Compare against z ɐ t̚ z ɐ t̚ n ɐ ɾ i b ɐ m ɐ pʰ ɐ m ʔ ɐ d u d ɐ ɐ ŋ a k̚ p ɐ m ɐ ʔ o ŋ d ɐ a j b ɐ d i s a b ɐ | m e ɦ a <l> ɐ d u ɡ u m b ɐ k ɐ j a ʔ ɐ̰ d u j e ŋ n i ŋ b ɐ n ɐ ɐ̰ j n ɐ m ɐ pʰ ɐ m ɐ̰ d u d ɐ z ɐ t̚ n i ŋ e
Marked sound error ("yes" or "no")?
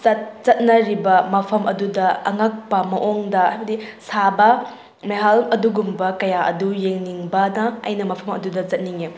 no